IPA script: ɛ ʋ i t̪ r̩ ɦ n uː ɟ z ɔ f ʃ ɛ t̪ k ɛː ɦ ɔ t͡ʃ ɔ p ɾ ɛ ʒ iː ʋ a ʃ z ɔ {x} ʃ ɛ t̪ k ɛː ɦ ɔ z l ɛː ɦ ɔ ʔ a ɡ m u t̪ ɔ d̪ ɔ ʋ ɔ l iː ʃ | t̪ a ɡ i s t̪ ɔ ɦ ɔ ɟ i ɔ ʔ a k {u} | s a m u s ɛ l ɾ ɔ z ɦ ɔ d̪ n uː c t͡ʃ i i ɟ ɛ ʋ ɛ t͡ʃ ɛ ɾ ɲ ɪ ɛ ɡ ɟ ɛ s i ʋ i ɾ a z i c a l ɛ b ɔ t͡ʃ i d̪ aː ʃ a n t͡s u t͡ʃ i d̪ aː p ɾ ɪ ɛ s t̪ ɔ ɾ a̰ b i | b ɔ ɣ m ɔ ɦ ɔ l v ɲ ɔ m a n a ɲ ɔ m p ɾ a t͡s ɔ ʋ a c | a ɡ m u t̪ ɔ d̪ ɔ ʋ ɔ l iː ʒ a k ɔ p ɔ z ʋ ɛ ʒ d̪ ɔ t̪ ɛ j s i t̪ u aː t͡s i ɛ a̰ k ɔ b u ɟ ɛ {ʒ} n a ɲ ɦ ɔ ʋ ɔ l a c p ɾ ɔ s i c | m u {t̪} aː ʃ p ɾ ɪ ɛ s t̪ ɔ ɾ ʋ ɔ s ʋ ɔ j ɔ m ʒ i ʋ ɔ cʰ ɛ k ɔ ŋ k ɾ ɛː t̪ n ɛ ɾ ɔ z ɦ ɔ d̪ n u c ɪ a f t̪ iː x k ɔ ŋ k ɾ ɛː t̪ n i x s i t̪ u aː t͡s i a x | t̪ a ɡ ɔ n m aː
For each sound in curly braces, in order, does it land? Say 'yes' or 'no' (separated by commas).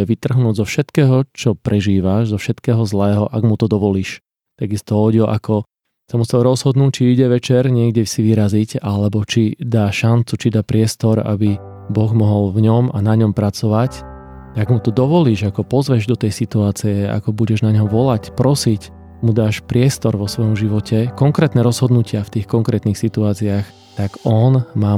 no, no, yes, no